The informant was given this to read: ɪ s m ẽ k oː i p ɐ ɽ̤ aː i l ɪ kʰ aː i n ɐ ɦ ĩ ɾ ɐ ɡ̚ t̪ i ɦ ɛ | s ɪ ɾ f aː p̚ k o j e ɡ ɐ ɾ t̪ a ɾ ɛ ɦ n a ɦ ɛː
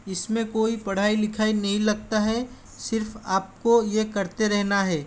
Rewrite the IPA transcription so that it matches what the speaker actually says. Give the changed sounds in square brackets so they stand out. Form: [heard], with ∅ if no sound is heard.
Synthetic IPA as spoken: ɪ s m ẽ k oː i p ɐ ɽ̤ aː i l ɪ kʰ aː i n ɐ ɦ ĩ [l] ɐ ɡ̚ t̪ [a] ɦ ɛ | s ɪ ɾ f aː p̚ k o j e [k] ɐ ɾ t̪ [e] ɾ ɛ ɦ n a ɦ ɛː